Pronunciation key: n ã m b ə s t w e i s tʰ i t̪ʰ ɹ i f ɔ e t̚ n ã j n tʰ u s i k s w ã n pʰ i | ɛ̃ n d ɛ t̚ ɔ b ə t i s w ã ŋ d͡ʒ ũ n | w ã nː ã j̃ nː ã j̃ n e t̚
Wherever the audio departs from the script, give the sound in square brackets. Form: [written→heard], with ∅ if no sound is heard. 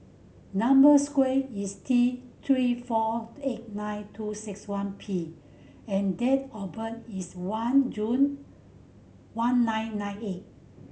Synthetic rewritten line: n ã m b ə s [t→k] w e i s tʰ i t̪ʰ ɹ i f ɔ e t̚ n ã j n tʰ u s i k s w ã n pʰ i | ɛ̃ n d ɛ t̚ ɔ b ə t i s w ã [ŋ→n] d͡ʒ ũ n | w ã nː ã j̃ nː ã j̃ n e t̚